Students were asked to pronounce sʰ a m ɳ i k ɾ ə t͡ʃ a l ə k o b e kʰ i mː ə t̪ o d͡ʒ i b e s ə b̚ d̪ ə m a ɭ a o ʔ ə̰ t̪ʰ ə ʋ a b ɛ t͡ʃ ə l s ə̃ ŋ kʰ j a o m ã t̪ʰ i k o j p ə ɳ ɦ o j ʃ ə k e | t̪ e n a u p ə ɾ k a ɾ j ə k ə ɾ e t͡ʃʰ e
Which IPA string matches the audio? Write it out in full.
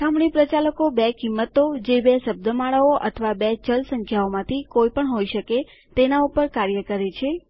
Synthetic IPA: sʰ a m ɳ i p ɾ ə t͡ʃ a l ə k o b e k i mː ə t̪ o d͡ʒ e b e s ə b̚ d̪ ə m a ɭ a o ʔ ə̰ t̪ʰ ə ʋ a b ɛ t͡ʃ ə l s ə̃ ŋ kʰ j a o m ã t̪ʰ i k o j p ə ɳ ɦ o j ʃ ə k e | t̪ e n a u p ə ɾ k a ɾ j ə k ə ɾ e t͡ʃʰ e